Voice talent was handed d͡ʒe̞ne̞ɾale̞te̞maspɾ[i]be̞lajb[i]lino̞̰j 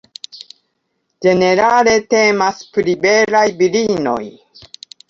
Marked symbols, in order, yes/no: yes, yes

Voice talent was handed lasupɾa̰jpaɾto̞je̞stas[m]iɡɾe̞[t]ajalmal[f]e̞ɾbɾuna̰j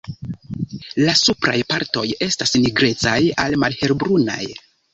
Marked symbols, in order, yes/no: no, no, no

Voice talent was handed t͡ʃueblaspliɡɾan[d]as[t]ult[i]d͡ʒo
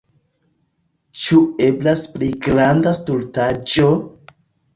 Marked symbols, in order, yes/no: yes, yes, no

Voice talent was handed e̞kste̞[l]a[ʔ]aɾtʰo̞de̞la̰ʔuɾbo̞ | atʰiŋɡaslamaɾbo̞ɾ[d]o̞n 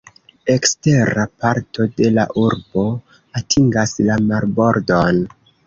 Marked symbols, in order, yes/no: no, no, yes

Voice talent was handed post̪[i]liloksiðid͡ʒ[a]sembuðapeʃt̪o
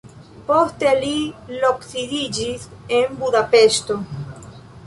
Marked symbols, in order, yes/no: no, no

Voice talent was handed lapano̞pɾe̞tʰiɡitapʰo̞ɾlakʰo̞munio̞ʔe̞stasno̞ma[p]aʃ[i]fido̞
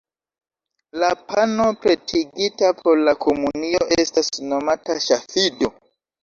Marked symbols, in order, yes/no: no, no

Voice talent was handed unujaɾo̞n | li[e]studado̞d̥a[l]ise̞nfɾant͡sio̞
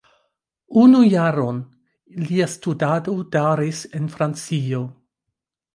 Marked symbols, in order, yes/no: no, no

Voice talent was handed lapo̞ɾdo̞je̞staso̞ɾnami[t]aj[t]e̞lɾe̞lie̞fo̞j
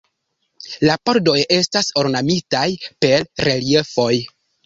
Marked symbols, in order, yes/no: yes, no

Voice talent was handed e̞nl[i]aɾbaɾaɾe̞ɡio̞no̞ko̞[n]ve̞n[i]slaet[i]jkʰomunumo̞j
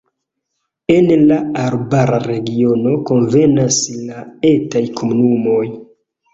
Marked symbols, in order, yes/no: no, yes, no, no

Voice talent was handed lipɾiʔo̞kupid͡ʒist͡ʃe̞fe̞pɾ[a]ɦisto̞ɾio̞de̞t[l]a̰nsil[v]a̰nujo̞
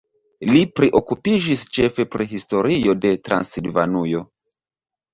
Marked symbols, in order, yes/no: no, no, yes

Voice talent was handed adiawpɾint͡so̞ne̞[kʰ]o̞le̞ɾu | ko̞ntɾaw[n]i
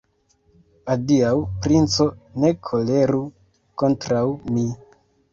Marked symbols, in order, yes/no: yes, no

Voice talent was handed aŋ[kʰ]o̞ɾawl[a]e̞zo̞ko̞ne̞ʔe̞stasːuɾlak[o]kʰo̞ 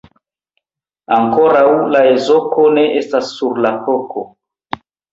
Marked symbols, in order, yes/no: no, yes, yes

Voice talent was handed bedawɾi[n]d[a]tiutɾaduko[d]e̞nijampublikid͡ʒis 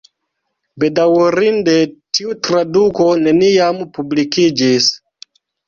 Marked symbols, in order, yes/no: yes, no, no

